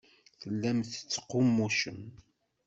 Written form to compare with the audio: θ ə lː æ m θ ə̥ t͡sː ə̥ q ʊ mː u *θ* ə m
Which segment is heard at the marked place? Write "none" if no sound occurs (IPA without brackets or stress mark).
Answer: ʃ